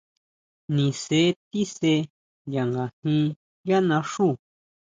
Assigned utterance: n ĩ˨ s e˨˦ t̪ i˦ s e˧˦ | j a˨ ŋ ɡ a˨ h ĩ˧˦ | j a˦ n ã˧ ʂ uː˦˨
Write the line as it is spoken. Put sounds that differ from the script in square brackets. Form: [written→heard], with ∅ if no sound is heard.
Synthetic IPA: n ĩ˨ s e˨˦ t̪ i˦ s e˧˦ | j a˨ ŋ ɡ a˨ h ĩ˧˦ | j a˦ n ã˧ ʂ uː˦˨